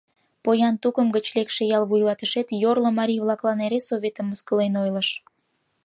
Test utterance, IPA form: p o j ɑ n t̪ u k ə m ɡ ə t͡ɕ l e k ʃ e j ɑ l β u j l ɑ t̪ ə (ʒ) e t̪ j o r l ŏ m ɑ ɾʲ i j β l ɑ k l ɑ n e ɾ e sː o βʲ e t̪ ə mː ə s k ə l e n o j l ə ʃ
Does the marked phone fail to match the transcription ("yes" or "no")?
yes